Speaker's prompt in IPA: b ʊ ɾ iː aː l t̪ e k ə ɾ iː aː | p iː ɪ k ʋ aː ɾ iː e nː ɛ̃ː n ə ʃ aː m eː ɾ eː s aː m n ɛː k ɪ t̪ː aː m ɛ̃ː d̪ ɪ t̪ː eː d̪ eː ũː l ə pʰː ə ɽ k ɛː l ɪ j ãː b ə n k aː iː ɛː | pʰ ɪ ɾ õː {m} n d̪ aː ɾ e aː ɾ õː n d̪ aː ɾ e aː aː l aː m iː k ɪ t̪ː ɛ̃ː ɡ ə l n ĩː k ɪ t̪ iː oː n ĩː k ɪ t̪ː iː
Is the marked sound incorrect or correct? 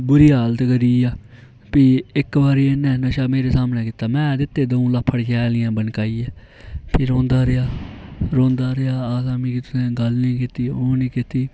incorrect: none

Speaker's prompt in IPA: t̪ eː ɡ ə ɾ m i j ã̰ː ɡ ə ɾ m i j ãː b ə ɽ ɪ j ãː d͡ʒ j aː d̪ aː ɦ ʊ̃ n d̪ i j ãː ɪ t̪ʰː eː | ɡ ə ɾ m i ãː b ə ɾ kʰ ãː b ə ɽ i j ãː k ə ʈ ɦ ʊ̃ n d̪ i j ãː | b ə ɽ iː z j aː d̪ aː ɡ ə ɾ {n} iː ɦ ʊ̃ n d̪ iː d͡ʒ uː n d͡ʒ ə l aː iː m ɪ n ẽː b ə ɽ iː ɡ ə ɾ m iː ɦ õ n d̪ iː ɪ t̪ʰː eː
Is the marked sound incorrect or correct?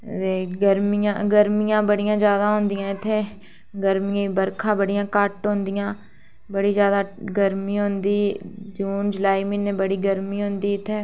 incorrect: m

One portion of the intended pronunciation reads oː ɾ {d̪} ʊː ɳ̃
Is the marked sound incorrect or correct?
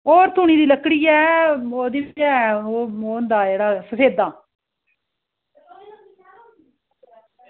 incorrect: t̪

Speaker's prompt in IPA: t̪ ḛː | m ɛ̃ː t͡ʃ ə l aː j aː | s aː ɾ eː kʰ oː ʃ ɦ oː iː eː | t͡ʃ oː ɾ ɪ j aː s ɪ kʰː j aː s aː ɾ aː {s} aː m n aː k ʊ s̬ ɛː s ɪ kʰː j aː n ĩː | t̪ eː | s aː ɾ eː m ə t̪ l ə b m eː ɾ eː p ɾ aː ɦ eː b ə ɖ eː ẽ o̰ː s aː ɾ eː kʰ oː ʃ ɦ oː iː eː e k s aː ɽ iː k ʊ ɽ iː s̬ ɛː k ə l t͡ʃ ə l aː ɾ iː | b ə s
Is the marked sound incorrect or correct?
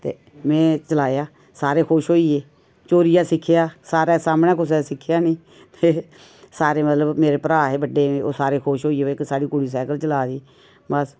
correct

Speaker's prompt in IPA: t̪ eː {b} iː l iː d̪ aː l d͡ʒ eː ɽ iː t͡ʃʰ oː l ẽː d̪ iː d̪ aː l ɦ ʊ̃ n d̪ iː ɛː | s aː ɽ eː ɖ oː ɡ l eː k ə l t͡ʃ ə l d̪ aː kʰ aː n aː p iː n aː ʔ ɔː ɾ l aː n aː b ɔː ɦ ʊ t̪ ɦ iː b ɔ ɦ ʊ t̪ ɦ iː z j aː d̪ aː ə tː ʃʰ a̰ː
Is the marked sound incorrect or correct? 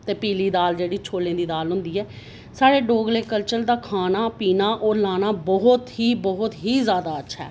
incorrect: p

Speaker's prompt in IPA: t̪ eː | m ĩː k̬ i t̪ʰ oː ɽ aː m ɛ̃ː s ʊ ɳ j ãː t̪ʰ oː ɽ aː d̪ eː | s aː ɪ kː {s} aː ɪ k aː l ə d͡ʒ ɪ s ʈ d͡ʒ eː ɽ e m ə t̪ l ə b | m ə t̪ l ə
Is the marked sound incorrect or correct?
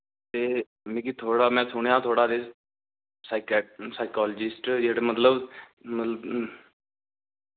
correct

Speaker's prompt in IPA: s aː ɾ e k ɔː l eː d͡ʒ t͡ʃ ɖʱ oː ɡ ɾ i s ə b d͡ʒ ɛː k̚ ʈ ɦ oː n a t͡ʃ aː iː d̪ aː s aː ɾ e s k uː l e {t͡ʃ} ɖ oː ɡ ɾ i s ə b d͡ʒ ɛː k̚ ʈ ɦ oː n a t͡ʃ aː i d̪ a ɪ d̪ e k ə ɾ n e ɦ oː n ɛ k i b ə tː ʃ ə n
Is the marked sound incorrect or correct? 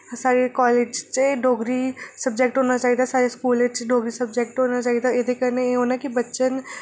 correct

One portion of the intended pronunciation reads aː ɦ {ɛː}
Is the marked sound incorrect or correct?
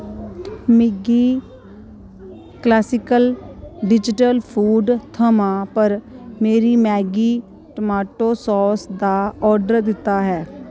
correct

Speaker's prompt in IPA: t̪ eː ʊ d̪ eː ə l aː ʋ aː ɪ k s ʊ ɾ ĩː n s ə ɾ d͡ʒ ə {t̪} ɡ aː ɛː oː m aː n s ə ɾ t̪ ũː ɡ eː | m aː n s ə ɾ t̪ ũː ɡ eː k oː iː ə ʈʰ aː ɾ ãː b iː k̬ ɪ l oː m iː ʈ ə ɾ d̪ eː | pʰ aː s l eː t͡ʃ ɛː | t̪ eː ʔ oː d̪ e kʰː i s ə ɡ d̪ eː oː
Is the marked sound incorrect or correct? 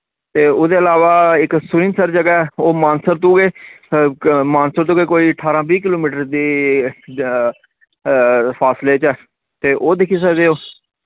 incorrect: none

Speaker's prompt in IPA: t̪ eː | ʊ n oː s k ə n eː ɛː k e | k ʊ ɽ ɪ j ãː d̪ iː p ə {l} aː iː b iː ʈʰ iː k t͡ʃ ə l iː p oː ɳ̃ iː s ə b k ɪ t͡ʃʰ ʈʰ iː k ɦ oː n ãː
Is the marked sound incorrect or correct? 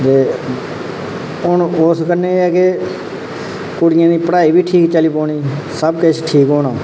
incorrect: ɽ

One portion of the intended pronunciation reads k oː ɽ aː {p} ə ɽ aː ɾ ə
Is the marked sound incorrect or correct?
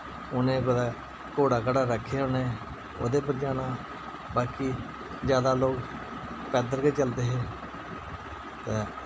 incorrect: k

